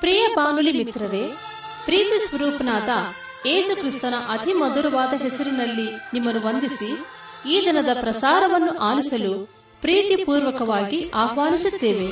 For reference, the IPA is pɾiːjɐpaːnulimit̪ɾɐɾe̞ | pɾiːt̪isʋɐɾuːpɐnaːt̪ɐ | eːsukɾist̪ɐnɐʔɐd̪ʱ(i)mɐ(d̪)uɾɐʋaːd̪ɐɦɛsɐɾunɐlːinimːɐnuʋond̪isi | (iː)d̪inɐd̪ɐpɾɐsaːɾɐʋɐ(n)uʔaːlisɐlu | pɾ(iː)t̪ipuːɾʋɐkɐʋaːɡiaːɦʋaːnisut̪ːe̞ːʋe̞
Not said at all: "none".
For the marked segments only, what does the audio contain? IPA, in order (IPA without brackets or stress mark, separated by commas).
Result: i, d̪, iː, nː, iː